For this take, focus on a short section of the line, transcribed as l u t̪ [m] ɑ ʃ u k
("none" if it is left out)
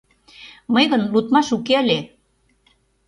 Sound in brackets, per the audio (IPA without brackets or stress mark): m